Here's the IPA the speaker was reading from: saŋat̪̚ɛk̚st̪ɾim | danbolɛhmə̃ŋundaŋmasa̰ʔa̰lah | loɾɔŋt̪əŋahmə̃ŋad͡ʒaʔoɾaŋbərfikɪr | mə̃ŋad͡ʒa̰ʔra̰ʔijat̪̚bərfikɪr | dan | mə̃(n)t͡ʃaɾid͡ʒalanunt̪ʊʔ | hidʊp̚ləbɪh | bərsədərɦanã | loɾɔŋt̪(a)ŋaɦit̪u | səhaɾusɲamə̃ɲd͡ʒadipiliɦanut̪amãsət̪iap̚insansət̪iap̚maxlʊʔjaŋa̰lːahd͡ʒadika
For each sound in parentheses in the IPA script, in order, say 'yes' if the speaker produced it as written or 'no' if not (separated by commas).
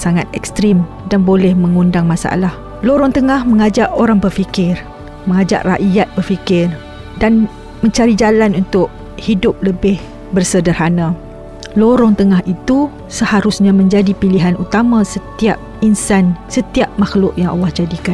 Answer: no, no